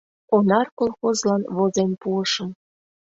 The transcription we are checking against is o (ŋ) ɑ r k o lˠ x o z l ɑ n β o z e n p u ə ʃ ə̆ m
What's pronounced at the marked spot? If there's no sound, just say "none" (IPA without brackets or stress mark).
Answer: n